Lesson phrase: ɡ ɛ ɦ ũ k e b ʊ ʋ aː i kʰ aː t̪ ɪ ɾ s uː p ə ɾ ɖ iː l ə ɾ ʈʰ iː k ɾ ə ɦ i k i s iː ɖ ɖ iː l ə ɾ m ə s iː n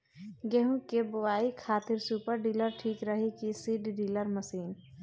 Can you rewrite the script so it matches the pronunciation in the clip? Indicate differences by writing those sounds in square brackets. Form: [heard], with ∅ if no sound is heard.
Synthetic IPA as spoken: ɡ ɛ ɦ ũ k e b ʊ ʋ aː i kʰ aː t̪ ɪ ɾ s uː p ə ɾ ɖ iː l ə ɾ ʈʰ iː k ɾ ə ɦ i k i s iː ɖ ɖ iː l ə ɾ m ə s iː n